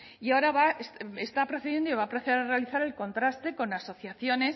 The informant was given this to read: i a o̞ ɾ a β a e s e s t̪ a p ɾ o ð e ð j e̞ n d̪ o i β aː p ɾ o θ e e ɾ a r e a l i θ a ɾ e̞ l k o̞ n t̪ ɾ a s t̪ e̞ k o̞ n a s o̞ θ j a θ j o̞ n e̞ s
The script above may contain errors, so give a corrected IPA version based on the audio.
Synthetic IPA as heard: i a o̞ ɾ a β a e s e s t̪ a p ɾ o θ e ð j e̞ n d̪ o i β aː p ɾ o θ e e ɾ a r e a l i θ a ɾ e̞ l k o̞ n t̪ ɾ a s t̪ e̞ k o̞ n a s o̞ θ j a θ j o̞ n e̞ s